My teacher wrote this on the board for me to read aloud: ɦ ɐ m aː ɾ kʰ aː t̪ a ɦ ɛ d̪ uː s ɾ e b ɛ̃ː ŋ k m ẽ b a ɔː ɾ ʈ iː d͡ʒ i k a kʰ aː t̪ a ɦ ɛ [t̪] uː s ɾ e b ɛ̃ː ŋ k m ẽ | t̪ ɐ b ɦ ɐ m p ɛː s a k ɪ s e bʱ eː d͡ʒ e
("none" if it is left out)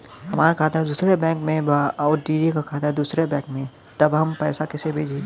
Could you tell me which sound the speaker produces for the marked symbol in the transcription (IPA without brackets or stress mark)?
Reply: d̪